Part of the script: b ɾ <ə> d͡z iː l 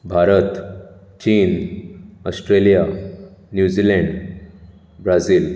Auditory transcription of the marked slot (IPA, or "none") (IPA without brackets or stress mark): a